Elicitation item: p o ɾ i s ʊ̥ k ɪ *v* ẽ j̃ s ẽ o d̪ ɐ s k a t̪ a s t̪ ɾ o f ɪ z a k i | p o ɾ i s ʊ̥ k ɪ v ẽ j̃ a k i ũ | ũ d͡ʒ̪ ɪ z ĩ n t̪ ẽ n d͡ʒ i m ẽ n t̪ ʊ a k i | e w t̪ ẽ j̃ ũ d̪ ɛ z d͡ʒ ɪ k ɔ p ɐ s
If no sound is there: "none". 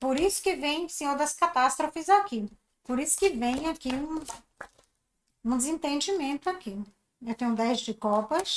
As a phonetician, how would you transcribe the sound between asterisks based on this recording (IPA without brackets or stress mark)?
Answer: v